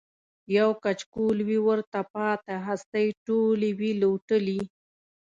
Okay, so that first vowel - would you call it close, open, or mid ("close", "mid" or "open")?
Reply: open